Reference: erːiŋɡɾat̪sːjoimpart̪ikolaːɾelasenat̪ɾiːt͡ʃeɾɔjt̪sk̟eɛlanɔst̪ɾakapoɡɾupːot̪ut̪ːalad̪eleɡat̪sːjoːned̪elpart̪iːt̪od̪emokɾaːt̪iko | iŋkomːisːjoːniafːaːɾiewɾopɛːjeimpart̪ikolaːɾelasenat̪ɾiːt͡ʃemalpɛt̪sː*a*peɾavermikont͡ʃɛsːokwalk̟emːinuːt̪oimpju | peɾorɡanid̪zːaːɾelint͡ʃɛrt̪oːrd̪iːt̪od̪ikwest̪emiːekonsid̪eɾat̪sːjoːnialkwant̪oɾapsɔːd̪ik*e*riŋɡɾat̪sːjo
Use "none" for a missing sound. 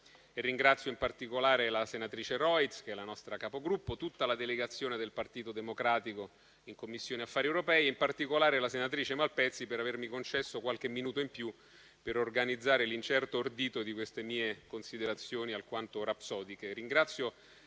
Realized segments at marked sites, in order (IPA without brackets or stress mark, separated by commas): i, e